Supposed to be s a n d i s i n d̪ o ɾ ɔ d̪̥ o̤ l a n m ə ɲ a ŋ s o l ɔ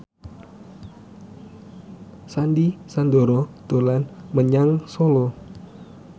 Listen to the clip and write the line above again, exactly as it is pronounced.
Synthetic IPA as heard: s a n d i s a n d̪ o ɾ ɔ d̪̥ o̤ l a n m ə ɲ a ŋ s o l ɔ